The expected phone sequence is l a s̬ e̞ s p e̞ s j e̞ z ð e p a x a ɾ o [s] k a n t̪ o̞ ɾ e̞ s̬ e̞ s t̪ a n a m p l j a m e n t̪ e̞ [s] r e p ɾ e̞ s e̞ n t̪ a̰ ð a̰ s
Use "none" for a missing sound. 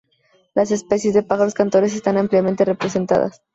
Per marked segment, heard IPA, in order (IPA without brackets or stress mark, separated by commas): s, none